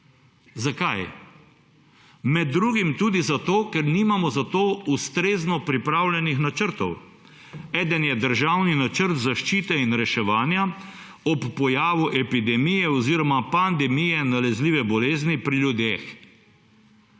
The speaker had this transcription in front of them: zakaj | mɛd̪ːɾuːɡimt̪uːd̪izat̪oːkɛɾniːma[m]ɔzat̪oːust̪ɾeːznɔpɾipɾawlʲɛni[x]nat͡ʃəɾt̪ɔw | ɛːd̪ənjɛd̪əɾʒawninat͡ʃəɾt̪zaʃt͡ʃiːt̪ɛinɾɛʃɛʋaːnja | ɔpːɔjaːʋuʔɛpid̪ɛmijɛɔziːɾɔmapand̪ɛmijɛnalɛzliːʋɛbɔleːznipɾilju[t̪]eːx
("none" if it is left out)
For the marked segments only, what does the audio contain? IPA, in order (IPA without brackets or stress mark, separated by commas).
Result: m, x, d̪